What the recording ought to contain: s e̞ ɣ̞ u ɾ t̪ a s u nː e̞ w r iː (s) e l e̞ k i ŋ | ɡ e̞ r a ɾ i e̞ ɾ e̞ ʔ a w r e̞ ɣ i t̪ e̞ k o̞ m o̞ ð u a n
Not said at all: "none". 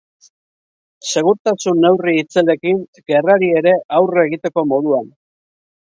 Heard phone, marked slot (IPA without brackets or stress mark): t͡s